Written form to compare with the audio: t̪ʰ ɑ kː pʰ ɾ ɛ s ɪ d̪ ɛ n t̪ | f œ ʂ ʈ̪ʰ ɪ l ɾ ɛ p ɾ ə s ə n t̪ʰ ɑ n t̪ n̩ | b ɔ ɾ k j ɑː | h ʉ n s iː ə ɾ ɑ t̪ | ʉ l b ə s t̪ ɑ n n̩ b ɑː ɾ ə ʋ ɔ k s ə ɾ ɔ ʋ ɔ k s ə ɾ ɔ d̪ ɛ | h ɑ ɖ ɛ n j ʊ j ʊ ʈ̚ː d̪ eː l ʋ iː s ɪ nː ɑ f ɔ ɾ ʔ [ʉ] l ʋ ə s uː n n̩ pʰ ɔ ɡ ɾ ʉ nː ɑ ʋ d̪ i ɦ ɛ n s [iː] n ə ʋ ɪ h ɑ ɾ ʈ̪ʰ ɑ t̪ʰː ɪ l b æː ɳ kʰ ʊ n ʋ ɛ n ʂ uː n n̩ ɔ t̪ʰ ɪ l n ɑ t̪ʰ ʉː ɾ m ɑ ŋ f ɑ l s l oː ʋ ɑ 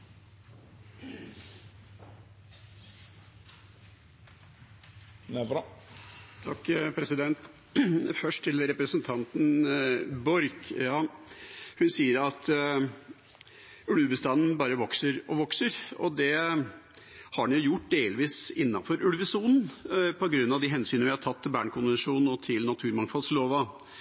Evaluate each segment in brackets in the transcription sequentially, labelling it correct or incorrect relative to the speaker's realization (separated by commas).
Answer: correct, incorrect